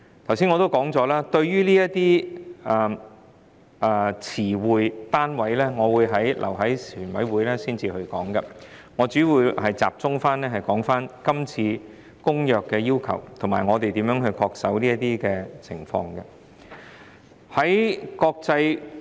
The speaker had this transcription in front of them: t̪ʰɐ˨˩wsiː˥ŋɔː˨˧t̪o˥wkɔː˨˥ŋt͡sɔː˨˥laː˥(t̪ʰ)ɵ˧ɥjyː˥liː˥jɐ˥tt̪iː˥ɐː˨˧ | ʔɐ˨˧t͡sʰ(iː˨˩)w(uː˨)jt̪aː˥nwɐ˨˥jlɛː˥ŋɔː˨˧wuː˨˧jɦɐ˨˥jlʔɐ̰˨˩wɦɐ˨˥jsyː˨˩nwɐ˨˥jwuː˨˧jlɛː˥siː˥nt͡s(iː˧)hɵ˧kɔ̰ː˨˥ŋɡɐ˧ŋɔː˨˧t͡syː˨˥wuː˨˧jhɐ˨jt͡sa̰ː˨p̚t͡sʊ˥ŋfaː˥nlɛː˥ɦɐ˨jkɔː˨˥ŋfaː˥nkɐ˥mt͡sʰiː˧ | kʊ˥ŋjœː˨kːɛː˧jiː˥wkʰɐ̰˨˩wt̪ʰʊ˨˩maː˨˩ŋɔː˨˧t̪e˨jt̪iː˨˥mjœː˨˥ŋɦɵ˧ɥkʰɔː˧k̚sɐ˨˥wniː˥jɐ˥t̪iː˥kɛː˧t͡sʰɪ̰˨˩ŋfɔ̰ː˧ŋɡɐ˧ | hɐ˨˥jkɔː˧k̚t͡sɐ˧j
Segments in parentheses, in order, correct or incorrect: incorrect: t̪, correct, correct, correct

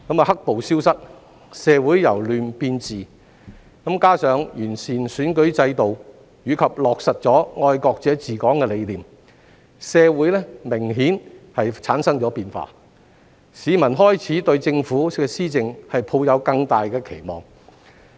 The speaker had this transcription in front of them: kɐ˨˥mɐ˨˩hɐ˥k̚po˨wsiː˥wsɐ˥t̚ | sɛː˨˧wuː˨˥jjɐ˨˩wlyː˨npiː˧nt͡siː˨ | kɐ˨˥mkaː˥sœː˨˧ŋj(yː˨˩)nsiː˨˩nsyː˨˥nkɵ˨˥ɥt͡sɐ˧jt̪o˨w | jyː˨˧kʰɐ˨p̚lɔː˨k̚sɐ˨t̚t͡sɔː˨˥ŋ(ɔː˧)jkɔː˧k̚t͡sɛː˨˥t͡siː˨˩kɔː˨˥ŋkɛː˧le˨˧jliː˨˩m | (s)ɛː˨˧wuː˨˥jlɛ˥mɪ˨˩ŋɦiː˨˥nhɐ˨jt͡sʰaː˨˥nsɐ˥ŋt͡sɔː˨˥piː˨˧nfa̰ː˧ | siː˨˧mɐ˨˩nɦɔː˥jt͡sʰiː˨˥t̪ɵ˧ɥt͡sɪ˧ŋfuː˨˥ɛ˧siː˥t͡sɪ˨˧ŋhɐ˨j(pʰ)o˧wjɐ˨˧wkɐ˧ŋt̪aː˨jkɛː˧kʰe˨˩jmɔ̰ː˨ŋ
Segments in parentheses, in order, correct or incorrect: correct, correct, correct, correct

